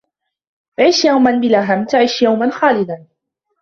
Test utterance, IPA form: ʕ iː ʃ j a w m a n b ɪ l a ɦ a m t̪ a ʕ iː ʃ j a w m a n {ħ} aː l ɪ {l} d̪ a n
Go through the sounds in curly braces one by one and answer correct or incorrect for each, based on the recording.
incorrect: x, incorrect: none

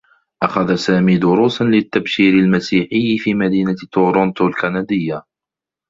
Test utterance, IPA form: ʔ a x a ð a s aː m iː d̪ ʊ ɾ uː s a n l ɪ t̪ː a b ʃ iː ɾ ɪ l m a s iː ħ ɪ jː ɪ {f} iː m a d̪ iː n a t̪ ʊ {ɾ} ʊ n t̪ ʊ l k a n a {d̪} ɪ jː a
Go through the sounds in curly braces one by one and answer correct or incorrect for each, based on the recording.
correct, correct, correct

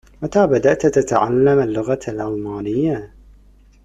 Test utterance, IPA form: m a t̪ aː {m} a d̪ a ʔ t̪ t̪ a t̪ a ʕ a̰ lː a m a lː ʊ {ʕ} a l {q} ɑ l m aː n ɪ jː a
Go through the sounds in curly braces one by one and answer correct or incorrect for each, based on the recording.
incorrect: b, incorrect: ɣ, incorrect: ʔ

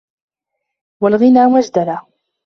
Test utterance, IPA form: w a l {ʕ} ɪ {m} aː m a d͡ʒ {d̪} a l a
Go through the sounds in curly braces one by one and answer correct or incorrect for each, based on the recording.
incorrect: ɣ, incorrect: n, correct

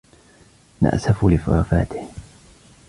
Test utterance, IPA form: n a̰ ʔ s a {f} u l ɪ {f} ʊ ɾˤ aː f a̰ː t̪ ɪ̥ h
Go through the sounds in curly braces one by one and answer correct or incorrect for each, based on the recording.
correct, correct

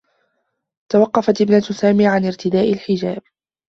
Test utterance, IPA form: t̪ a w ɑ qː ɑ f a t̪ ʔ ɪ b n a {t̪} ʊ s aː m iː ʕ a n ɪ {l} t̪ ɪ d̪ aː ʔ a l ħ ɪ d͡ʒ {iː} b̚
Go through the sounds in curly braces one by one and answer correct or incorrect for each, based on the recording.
correct, incorrect: ɾ, incorrect: aː

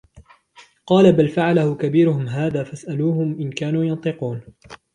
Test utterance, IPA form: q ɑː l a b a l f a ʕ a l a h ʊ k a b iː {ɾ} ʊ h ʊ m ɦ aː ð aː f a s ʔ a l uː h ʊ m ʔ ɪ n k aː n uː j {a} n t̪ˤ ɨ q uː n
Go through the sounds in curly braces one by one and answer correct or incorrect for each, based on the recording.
correct, incorrect: ɑ

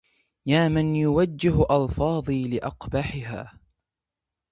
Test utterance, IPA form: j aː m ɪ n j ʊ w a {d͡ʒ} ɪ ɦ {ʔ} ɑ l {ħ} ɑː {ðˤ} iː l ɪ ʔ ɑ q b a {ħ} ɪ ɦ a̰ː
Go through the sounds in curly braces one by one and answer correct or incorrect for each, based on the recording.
incorrect: d͡ʒː, correct, incorrect: f, correct, correct

